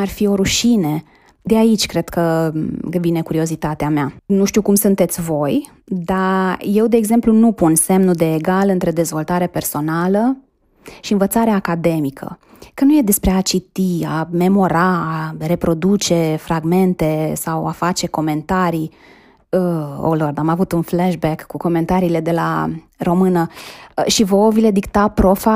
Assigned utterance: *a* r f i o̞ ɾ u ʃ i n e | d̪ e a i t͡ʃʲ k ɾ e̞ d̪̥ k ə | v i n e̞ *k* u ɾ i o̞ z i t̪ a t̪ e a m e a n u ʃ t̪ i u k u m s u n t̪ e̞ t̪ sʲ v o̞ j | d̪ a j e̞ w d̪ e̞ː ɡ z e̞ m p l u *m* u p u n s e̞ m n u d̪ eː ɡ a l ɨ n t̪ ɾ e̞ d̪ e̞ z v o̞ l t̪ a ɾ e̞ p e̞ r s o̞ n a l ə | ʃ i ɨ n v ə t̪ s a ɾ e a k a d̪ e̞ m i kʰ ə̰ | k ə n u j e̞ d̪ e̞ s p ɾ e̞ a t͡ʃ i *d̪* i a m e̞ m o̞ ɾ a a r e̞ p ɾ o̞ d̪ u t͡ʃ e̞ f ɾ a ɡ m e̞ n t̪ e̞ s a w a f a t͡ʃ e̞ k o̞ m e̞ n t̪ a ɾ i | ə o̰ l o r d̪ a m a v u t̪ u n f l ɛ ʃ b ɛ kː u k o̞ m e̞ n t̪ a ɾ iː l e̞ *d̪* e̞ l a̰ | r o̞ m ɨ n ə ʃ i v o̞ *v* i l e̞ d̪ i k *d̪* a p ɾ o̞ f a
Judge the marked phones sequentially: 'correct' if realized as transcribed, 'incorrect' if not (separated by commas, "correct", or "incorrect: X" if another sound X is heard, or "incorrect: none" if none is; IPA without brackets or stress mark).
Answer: correct, correct, incorrect: n, incorrect: t̪, correct, correct, incorrect: t̪